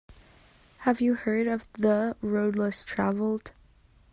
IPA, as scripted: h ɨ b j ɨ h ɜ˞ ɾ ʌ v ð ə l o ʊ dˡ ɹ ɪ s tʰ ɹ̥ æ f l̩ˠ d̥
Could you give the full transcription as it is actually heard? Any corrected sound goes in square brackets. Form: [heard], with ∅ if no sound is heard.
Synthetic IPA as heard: h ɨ [v] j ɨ h ɜ˞ ɾ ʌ v ð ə [ɹ] o ʊ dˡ [l] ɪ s tʰ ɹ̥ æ [v] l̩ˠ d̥